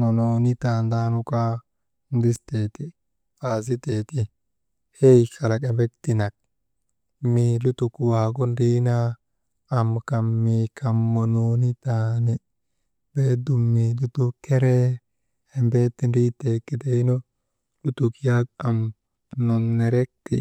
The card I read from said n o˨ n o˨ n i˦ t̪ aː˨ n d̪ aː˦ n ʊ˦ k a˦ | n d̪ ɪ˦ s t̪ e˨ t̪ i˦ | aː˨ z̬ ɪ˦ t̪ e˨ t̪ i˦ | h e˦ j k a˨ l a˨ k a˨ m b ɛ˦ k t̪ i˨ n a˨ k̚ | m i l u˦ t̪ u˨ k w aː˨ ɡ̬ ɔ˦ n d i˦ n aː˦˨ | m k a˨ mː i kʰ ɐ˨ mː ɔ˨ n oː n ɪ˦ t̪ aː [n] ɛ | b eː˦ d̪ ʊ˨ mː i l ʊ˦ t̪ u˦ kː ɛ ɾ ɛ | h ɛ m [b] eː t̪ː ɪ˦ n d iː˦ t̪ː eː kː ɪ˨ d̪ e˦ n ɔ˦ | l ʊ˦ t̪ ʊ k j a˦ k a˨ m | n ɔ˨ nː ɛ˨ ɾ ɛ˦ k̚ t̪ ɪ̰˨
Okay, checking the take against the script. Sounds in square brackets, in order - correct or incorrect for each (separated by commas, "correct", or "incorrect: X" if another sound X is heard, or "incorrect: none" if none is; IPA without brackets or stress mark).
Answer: correct, correct